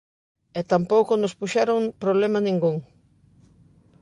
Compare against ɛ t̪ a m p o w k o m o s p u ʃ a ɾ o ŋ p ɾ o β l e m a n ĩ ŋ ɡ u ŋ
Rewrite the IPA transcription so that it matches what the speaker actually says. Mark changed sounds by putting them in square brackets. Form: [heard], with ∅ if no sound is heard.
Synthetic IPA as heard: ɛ t̪ a m p o w k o [n] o s p u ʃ a ɾ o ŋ p ɾ o β l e m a n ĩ ŋ ɡ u ŋ